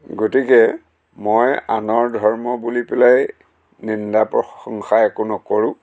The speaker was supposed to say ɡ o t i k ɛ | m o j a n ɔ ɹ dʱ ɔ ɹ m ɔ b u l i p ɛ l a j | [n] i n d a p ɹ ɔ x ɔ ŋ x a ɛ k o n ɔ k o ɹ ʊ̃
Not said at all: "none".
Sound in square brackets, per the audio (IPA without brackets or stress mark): n